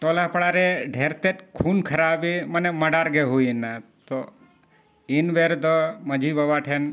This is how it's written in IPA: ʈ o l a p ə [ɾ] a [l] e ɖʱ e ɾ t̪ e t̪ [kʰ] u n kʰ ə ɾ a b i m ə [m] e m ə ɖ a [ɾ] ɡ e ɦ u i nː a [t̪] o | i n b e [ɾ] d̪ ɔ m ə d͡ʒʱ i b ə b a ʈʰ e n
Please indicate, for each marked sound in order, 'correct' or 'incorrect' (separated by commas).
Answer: incorrect, incorrect, correct, incorrect, correct, correct, correct